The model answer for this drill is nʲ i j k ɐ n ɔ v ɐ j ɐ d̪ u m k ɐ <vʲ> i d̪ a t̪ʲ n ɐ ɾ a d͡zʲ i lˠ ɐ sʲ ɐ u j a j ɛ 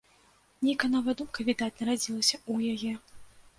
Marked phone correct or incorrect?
correct